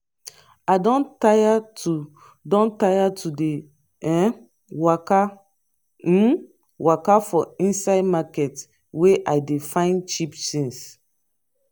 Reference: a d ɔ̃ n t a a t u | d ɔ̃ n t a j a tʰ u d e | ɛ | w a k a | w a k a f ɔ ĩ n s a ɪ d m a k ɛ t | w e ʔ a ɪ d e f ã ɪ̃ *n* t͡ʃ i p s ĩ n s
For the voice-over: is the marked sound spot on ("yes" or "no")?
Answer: yes